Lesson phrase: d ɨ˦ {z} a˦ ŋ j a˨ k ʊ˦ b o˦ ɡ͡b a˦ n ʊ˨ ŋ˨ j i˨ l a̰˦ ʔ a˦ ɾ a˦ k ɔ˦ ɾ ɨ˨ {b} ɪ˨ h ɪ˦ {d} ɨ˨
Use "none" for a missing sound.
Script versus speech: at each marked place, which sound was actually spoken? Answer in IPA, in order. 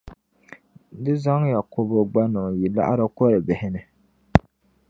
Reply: z, b, n

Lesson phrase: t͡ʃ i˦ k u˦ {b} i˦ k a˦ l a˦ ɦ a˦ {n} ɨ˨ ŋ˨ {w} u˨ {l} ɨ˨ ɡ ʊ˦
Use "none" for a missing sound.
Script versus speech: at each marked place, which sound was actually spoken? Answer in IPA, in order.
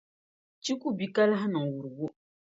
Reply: b, n, w, ɾ

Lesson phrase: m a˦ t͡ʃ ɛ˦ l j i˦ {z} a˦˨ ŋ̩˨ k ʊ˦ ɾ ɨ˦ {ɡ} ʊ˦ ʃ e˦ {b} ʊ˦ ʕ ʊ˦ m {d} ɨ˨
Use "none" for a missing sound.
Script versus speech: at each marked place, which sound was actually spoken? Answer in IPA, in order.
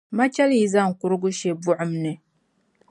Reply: z, ɡ, b, n

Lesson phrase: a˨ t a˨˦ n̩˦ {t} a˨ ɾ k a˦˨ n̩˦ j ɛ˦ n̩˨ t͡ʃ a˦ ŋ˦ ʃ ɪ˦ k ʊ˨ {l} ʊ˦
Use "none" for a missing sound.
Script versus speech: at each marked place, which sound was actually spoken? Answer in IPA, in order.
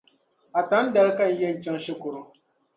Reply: d, ɾ

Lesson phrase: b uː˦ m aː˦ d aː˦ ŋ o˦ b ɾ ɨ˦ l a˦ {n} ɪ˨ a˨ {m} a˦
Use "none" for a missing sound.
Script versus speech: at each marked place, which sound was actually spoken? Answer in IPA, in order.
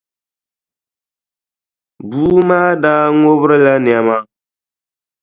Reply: n, m

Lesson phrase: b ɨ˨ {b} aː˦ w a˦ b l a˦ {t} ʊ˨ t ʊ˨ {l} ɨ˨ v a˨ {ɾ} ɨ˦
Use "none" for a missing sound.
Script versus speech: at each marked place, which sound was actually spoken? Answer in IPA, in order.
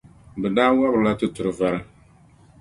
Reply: d, t, ɾ, ɾ

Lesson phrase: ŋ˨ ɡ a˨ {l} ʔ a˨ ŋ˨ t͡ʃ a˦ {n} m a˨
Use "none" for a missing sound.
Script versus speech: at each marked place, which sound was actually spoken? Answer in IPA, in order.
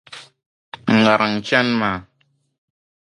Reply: ɾ, n

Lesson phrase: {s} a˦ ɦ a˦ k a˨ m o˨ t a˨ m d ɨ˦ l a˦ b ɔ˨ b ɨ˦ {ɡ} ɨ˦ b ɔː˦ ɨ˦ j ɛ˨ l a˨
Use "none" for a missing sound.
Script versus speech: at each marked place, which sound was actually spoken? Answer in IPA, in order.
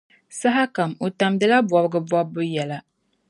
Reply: s, ɡ

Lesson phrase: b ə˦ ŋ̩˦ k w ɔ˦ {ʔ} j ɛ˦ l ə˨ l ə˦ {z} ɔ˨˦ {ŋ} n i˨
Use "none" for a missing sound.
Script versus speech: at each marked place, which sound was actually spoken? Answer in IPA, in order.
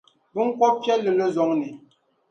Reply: p, z, ŋ

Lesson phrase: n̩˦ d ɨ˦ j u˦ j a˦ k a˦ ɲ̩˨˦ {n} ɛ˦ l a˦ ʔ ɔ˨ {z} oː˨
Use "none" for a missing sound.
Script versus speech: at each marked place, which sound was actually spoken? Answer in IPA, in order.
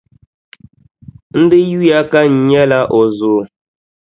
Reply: ɲ, z

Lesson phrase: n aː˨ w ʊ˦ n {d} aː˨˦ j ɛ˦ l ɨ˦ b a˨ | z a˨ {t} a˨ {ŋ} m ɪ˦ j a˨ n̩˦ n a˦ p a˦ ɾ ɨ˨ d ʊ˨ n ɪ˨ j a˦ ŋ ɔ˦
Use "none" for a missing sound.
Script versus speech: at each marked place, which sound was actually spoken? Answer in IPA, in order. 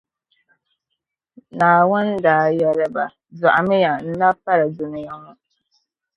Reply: d, ʔ, none

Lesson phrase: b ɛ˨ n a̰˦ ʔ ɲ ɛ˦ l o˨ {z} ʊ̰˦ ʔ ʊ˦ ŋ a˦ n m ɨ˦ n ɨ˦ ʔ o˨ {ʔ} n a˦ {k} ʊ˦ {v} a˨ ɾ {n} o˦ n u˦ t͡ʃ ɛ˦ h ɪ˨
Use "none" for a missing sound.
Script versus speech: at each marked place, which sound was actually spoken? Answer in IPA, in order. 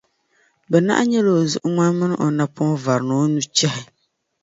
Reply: z, none, p, v, n

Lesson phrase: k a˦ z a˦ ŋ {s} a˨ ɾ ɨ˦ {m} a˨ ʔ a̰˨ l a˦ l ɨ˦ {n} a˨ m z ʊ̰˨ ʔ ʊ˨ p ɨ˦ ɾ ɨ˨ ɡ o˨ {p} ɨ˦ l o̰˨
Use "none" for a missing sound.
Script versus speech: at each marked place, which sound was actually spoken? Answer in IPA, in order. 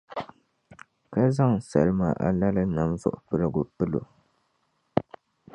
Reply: s, m, n, p

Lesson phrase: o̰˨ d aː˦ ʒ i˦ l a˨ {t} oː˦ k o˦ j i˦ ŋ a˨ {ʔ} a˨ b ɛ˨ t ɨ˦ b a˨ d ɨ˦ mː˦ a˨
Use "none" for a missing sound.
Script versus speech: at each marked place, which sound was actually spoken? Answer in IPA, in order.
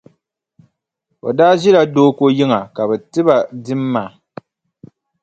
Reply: d, k

